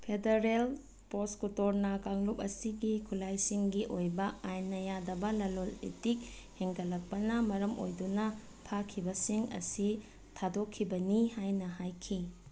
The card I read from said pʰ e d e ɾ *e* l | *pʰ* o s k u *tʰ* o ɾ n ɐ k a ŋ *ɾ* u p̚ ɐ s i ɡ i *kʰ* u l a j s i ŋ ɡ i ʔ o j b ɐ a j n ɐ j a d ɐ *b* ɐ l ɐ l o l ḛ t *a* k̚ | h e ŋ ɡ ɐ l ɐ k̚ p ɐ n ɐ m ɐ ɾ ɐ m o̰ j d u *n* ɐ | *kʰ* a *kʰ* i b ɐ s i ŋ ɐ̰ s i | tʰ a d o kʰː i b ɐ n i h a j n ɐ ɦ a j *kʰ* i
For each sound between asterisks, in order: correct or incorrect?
correct, incorrect, incorrect, incorrect, correct, correct, incorrect, correct, incorrect, correct, correct

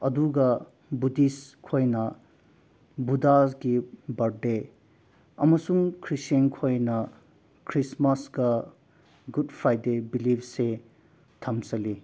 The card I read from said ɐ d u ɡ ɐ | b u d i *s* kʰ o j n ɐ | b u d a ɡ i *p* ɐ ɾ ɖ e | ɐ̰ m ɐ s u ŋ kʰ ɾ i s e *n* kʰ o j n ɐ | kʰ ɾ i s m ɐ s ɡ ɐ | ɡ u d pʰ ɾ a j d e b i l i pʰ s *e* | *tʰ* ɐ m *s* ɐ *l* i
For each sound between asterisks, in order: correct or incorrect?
correct, incorrect, correct, correct, correct, correct, correct

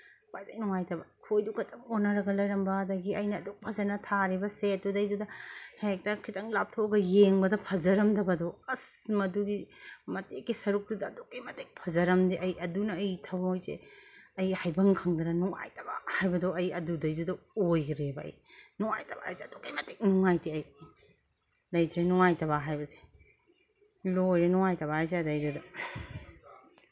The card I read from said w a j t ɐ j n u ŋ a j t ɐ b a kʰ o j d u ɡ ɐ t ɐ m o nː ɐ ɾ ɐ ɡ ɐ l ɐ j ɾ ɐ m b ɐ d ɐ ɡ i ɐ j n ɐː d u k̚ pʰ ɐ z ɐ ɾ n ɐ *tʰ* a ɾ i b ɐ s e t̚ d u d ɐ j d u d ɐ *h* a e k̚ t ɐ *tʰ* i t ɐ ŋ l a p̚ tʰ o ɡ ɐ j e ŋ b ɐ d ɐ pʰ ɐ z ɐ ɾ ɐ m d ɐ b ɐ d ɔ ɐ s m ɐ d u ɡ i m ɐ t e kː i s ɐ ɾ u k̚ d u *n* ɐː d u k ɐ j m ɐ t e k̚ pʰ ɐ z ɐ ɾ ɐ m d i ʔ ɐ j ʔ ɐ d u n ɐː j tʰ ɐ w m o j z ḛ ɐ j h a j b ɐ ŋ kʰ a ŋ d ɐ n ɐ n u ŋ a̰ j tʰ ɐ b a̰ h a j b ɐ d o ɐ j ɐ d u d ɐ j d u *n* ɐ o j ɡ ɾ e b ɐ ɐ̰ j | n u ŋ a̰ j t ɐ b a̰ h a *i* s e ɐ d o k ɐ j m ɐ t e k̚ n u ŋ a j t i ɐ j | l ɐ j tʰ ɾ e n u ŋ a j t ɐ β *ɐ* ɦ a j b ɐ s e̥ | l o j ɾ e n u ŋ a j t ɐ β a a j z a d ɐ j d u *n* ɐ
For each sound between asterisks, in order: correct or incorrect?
correct, correct, incorrect, incorrect, incorrect, incorrect, incorrect, incorrect

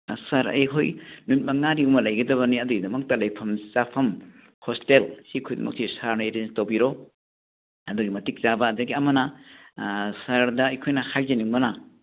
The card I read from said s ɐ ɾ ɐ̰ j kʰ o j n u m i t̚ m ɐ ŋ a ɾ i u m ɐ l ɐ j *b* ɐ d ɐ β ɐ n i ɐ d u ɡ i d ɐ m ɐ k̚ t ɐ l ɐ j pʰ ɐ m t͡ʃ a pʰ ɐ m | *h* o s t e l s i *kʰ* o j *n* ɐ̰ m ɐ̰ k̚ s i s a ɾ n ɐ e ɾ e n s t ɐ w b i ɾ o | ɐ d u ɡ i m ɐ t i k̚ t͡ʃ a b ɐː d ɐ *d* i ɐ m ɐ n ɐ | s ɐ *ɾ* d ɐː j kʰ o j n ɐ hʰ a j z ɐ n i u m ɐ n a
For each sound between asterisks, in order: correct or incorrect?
incorrect, correct, correct, incorrect, incorrect, correct

